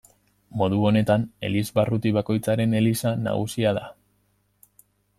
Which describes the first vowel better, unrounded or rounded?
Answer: rounded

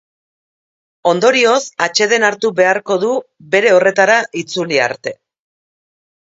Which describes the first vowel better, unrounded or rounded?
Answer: rounded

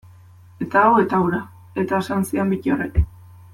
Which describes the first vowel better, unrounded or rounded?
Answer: unrounded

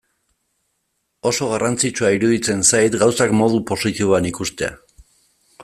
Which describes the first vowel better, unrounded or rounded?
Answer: rounded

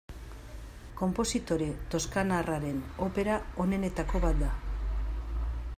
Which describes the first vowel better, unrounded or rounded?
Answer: rounded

